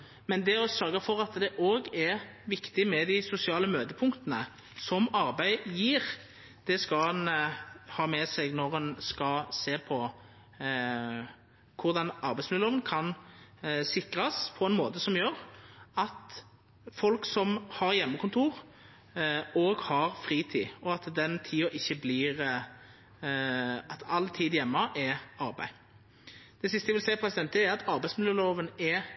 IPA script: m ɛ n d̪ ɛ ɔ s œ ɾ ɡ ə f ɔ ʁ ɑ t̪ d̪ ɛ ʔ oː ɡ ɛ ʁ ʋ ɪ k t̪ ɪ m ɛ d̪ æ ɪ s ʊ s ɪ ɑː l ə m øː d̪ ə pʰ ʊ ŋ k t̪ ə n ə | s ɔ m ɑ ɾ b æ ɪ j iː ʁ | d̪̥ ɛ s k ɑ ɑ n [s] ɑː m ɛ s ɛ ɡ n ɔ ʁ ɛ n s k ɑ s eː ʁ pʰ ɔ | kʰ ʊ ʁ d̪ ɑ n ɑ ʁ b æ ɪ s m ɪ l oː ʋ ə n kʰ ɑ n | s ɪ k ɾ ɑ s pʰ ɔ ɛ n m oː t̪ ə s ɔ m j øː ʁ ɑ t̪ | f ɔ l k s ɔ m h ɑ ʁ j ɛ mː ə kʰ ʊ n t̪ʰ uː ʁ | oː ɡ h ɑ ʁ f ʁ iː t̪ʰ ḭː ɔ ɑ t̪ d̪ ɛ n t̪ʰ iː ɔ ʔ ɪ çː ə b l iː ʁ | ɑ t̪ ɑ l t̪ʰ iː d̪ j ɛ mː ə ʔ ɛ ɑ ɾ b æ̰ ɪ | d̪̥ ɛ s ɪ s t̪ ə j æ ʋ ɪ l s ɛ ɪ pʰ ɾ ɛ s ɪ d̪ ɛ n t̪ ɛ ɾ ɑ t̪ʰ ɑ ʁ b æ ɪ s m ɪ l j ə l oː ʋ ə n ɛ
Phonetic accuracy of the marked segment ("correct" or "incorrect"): incorrect